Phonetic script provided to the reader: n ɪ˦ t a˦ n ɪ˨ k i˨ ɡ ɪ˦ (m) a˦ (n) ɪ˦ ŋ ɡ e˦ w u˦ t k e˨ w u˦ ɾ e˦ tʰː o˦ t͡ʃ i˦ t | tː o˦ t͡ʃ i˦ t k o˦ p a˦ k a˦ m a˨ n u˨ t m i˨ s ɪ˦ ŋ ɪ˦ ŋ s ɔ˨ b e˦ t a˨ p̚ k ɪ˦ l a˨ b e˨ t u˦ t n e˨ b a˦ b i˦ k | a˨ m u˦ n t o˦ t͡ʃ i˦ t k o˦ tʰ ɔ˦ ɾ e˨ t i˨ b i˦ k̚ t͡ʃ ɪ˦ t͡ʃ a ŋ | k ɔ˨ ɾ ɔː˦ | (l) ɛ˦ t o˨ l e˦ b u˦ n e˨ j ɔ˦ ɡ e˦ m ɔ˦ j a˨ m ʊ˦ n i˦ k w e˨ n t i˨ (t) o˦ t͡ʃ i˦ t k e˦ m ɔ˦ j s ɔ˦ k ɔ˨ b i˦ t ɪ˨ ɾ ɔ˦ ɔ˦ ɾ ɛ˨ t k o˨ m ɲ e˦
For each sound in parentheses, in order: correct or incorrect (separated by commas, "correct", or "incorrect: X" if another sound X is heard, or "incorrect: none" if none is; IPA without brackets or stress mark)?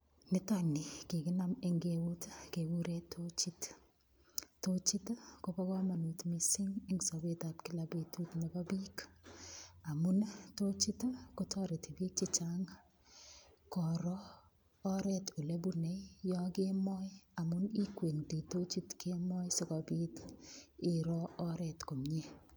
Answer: incorrect: n, incorrect: m, incorrect: ɾ, correct